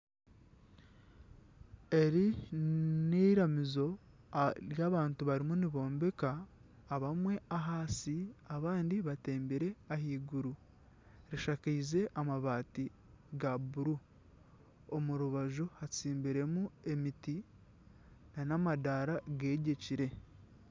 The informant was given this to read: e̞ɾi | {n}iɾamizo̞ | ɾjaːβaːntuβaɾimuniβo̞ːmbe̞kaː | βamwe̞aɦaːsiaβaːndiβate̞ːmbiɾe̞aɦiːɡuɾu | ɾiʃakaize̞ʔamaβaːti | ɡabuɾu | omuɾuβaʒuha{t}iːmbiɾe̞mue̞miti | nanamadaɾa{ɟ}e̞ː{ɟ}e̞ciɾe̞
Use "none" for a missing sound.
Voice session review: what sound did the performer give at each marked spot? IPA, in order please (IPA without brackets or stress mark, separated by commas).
n, t͡s, ɡ, ɟ